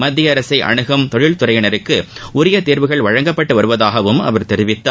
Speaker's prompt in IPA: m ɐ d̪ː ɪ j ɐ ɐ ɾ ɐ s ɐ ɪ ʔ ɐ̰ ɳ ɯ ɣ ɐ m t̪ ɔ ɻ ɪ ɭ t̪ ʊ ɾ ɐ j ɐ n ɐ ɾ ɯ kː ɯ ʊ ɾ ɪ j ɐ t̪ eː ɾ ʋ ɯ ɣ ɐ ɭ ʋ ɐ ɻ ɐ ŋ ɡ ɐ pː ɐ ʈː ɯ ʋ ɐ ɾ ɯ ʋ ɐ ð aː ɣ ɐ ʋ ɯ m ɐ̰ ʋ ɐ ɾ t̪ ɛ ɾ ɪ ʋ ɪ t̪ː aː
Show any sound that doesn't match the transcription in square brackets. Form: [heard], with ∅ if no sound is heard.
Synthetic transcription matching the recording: m ɐ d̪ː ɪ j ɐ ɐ ɾ ɐ s ɐ ɪ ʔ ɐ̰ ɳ ɯ ɣ ɐ m t̪ ɔ ɻ ɪ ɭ t̪ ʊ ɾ ɐ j ɐ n ɐ ɾ ɯ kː ɯ ʊ ɾ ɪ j ɐ t̪ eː ɾ ʋ ɯ ɣ ɐ ɭ ʋ ɐ ɻ ɐ ŋ ɡ ɐ pː ɐ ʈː ɯ ʋ ɐ ɾ ɯ ʋ ɐ ð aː ɣ ɐ ʋ ɯ m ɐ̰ ʋ ɐ ɾ t̪ ɛ ɾ ɪ ʋ ɪ t̪ː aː